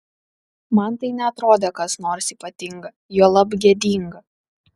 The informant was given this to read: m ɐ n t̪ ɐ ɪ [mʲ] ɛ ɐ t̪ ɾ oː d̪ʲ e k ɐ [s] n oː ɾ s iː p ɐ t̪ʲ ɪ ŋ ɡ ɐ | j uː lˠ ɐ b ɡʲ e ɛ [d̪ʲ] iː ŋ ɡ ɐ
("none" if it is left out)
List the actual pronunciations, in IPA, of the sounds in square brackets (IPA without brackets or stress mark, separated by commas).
nʲ, s, d̪ʲ